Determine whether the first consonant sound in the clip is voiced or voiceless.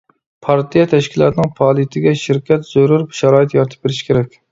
voiceless